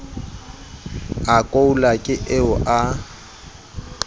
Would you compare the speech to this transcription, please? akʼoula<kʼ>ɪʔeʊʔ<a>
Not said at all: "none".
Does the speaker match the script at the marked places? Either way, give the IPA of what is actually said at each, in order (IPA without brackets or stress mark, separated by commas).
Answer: kʼ, a